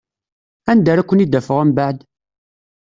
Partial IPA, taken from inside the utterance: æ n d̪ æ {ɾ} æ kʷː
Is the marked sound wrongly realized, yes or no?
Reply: no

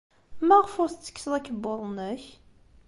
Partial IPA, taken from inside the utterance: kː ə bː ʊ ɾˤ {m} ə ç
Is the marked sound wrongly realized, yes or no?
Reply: yes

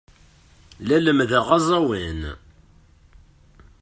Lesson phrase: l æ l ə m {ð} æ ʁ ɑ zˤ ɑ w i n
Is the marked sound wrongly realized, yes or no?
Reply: no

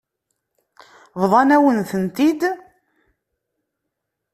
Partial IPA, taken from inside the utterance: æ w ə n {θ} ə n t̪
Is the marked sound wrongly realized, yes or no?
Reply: no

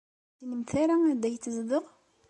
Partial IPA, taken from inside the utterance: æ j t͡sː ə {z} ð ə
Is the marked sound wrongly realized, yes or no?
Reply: no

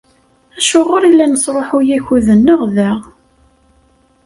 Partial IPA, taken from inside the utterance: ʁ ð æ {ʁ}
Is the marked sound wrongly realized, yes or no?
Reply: no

